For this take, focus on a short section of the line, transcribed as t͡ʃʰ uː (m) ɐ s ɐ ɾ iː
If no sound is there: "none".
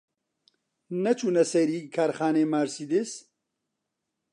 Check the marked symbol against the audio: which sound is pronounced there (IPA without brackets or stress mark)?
n